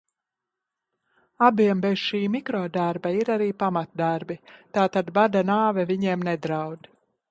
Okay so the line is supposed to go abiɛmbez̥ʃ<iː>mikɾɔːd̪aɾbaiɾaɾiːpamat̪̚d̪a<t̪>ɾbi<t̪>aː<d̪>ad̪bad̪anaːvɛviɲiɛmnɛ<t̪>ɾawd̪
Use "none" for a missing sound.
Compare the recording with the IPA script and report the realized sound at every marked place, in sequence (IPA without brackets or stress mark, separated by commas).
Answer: iː, none, t̪, t̪, d̪